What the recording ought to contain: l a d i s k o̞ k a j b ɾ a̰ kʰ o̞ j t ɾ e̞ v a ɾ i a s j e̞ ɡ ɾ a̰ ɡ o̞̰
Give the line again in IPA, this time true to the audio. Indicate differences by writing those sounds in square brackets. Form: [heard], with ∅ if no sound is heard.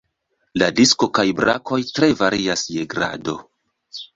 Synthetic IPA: l a d i s k o̞ k a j b ɾ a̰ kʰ o̞ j t ɾ e̞ v a ɾ i a s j e̞ ɡ ɾ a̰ [d] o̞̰